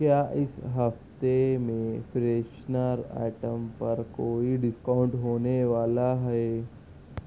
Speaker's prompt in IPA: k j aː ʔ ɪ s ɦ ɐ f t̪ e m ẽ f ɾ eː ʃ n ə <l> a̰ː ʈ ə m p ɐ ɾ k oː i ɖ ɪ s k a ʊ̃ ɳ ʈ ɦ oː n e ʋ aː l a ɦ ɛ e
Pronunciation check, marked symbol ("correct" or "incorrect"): incorrect